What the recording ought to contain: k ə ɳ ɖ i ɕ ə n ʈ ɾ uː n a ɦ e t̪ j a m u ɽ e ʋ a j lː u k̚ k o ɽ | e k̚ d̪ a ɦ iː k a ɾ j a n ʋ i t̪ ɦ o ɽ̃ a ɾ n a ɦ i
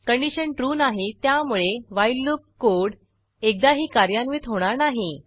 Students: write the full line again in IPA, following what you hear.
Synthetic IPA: k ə ɳ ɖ i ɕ ə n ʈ ɾ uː n a ɦ e t̪ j a m u ɭ e ʋ a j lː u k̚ k o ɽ | e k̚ d̪ a ɦ iː k a ɾ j a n ʋ i t̪ ɦ o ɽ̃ a ɾ n a ɦ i